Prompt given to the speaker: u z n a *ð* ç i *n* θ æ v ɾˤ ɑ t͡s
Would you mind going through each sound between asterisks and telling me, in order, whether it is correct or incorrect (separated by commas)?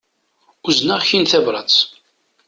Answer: incorrect, correct